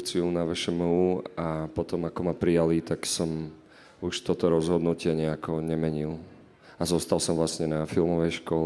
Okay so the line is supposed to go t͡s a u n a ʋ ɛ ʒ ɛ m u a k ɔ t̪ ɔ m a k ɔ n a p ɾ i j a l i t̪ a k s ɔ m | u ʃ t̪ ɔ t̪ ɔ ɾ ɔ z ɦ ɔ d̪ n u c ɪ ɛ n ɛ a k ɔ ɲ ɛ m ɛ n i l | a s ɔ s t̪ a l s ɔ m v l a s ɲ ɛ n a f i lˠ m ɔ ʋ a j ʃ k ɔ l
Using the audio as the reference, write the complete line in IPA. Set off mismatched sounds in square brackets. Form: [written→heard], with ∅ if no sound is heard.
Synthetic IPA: t͡s [a→i] u n a ʋ ɛ [ʒ→ʃ] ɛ m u a [k→p] ɔ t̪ ɔ m a k ɔ [n→m] a p ɾ i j a l i t̪ a k s ɔ m | u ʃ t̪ ɔ t̪ ɔ ɾ ɔ z ɦ ɔ d̪ n u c ɪ ɛ [n→ɲ] ɛ a k ɔ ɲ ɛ m ɛ [n→ɲ] i l | a [s→z] ɔ s t̪ a l s ɔ m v l a s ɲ ɛ n a f i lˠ m ɔ ʋ [a→ɛ] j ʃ k ɔ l